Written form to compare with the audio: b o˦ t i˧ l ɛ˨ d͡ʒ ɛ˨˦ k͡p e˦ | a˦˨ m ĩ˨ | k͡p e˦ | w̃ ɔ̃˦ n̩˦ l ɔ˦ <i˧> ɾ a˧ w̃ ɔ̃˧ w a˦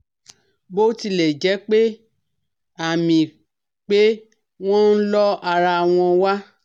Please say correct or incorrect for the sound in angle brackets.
incorrect: a˧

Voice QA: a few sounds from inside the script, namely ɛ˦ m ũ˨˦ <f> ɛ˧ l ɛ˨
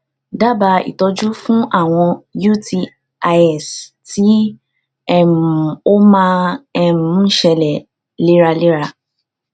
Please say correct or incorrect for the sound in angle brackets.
incorrect: ʃ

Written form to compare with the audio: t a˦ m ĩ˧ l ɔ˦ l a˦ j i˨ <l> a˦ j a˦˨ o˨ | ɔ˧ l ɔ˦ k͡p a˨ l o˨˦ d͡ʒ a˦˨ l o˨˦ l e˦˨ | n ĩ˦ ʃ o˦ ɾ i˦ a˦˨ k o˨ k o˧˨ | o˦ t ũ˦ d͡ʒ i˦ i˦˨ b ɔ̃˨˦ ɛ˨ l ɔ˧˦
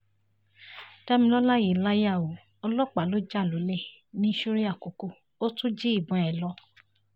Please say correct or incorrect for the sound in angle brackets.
correct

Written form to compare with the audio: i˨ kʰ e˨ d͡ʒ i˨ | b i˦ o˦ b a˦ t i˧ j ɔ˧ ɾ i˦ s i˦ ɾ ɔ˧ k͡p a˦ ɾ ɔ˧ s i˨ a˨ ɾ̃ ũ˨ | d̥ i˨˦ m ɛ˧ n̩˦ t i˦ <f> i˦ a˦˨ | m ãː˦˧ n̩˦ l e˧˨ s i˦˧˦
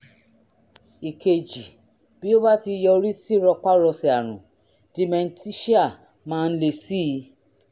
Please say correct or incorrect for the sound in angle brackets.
incorrect: ʃ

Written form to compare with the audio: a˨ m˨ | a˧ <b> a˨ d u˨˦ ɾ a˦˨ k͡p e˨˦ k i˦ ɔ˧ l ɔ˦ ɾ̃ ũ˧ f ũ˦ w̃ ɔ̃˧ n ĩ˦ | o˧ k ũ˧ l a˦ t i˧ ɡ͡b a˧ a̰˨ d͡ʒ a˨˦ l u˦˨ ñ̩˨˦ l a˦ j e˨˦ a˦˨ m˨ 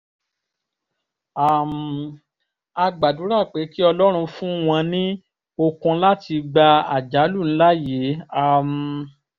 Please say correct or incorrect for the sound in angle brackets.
incorrect: ɡ͡b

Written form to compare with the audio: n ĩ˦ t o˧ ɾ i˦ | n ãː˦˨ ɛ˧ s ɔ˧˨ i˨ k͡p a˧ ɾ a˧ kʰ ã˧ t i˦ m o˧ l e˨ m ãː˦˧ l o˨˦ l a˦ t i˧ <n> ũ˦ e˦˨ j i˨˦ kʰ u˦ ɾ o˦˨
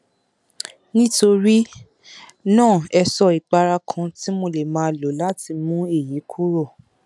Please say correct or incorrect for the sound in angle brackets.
incorrect: m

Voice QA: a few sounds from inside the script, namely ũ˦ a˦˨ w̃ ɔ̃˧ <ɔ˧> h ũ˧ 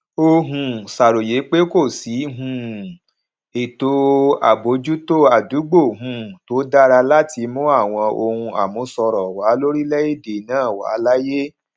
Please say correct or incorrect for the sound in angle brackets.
incorrect: o˧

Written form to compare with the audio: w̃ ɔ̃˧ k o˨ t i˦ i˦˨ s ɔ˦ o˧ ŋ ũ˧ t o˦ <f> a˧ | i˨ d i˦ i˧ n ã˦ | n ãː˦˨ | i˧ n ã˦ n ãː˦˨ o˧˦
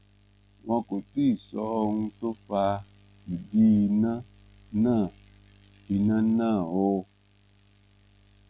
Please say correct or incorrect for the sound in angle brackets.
correct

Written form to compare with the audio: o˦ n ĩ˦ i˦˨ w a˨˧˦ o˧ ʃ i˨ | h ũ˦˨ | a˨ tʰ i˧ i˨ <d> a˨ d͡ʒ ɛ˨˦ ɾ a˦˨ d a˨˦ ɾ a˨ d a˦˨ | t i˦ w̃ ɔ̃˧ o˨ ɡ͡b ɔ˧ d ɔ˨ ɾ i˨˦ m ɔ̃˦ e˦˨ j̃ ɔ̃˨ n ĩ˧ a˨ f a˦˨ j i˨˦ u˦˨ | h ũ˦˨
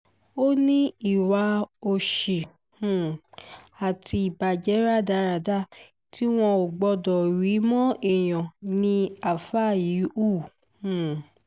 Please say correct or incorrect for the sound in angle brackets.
incorrect: b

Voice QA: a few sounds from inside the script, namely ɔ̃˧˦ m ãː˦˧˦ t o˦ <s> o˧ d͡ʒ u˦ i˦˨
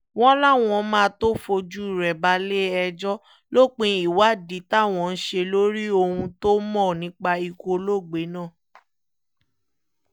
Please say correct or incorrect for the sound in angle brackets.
incorrect: f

